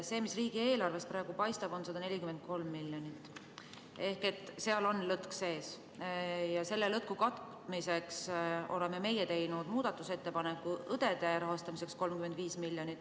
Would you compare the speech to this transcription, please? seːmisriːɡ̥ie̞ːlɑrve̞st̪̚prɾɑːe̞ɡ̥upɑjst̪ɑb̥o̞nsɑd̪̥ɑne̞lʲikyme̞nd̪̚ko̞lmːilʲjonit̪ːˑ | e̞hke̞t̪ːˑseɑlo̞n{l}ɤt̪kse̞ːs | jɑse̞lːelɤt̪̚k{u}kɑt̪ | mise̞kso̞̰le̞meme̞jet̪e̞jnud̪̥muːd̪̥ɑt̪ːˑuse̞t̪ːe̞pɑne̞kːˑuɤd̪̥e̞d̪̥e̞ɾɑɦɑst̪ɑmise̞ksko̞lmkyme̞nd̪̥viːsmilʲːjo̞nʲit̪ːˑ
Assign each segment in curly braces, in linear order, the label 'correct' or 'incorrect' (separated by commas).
correct, correct